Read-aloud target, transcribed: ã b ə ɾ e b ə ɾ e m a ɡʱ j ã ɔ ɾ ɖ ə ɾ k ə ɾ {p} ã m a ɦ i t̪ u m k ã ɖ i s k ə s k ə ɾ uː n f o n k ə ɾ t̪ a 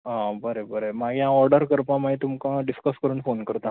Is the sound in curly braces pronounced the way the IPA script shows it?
yes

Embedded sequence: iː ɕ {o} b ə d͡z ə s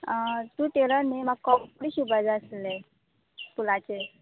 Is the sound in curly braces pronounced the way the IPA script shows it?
no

